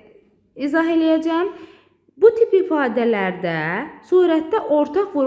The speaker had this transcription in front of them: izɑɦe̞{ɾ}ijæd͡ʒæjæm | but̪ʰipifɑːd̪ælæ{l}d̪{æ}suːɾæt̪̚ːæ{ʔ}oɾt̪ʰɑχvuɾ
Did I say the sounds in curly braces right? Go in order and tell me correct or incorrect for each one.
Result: incorrect: l, incorrect: ɾ, correct, correct

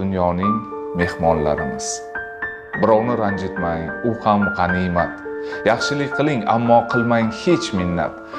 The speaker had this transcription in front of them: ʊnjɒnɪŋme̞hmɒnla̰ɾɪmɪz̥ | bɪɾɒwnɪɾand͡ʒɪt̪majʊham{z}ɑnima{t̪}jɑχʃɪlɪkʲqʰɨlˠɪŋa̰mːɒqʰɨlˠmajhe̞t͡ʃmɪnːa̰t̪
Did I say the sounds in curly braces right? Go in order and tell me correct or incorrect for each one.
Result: incorrect: ʁ, correct

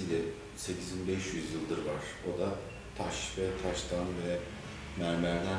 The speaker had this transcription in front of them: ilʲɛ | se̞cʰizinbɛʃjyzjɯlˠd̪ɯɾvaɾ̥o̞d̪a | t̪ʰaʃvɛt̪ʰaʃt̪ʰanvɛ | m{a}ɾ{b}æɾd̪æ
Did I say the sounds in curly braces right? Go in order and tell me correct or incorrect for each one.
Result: incorrect: æ, incorrect: m

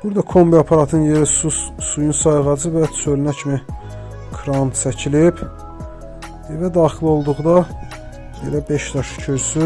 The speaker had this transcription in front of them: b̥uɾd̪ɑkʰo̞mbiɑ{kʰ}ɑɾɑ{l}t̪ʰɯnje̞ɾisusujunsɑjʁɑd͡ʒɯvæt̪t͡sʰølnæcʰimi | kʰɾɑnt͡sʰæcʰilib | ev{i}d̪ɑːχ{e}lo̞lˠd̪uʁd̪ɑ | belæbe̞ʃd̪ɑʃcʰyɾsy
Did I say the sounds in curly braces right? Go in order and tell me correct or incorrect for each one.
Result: incorrect: pʰ, incorrect: none, incorrect: æ, incorrect: i

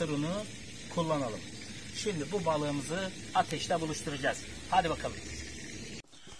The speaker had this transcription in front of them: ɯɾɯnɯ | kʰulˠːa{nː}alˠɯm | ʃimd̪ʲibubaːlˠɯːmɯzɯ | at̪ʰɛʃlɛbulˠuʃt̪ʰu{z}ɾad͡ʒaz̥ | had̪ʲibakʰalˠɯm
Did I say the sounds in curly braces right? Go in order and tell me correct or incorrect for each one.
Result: incorrect: n, incorrect: none

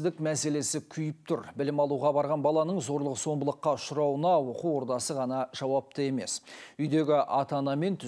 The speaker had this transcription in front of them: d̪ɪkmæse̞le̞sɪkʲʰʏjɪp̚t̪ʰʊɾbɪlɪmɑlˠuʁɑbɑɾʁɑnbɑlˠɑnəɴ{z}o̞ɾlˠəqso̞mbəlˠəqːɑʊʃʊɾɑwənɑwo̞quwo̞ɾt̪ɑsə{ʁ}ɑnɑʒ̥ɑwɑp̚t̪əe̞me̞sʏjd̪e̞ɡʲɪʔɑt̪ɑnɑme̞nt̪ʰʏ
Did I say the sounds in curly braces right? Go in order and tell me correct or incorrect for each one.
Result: correct, correct

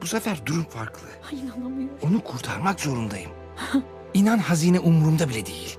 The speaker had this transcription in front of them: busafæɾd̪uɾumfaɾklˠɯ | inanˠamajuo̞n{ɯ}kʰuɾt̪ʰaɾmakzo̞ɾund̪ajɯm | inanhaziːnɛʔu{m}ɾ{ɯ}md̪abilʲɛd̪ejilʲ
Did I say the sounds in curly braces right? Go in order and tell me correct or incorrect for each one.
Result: incorrect: u, correct, incorrect: u

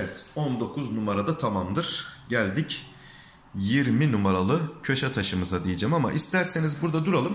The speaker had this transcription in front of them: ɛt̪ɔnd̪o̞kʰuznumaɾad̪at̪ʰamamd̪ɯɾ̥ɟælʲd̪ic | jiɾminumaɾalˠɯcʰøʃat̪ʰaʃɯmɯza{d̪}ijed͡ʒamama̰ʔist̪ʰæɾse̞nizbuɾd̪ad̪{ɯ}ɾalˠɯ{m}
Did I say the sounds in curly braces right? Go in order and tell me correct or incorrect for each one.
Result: correct, incorrect: u, correct

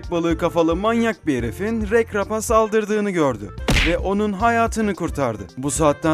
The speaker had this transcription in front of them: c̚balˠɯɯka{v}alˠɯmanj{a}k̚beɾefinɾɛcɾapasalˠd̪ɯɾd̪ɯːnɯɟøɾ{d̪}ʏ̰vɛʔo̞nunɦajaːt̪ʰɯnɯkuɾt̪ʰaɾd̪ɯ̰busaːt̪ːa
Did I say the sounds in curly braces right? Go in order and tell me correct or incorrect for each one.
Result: incorrect: f, correct, correct

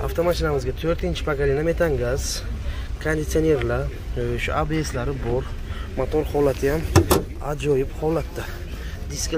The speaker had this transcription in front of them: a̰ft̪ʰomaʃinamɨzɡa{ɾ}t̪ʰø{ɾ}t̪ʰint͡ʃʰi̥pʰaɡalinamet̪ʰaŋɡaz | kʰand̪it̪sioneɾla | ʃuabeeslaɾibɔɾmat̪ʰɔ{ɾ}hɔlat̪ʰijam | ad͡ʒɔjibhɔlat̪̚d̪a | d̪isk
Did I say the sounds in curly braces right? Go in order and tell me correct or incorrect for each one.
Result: incorrect: none, correct, correct

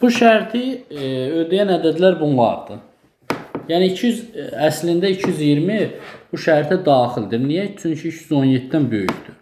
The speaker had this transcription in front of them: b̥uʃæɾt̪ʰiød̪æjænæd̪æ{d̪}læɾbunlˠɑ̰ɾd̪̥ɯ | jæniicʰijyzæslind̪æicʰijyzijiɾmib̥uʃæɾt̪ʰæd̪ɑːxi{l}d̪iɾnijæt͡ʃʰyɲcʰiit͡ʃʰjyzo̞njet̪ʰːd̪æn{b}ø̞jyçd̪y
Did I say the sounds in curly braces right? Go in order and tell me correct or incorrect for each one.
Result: correct, correct, correct

